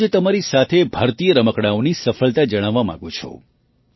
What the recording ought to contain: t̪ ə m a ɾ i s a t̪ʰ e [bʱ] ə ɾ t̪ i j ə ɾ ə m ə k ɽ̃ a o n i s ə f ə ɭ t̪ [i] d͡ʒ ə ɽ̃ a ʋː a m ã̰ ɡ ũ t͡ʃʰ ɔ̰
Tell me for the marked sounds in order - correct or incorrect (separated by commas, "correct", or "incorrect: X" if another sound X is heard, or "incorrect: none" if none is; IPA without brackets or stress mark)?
correct, incorrect: a